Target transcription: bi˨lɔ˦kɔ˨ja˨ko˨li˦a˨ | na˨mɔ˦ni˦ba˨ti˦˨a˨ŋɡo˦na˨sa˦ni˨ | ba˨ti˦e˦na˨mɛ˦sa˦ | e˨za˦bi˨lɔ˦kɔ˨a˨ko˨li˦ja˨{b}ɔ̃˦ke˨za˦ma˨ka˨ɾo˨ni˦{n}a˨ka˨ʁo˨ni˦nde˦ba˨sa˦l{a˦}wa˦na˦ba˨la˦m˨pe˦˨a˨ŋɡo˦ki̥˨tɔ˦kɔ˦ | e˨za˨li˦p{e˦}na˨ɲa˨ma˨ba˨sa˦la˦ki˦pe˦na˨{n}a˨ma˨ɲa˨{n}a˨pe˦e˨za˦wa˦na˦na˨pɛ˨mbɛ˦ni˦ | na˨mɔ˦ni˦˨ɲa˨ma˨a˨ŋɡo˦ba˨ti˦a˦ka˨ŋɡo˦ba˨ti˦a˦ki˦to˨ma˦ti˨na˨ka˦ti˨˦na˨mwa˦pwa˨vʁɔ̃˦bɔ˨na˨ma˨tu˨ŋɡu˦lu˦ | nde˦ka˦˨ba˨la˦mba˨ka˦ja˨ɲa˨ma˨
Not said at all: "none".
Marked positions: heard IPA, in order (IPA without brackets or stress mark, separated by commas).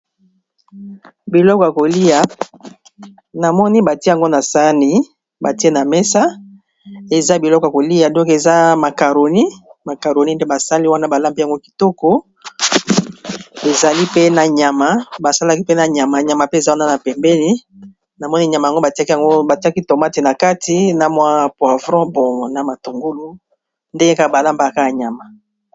d, m, i˦, e˦, ɲ, m